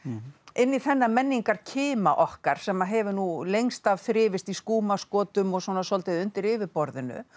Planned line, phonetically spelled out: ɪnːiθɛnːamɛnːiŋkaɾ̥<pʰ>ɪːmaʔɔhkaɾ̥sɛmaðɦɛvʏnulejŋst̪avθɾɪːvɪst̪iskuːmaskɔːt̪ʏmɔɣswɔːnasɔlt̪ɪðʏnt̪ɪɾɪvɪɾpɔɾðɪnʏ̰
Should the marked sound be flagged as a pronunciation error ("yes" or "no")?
yes